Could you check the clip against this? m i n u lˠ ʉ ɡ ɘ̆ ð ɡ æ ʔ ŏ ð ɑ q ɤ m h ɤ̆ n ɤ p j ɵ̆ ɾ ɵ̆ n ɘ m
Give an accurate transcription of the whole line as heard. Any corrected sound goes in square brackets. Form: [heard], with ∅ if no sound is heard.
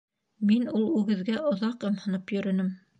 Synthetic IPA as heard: m i n u lˠ ʉ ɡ ɘ̆ ð ɡ æ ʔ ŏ ð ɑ q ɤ m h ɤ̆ n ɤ p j ɵ̆ ɾ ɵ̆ n ɘ m